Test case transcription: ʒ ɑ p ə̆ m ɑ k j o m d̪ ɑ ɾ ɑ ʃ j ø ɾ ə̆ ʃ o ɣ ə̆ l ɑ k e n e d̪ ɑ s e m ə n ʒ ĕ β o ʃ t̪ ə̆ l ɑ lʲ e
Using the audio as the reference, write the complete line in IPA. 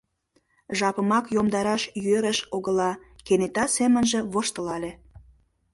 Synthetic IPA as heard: ʒ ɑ p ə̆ m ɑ k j o m d̪ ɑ ɾ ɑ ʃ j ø ɾ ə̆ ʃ o ɣ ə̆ l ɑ k e n e t̪ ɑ s e m ə n ʒ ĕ β o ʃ t̪ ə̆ l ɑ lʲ e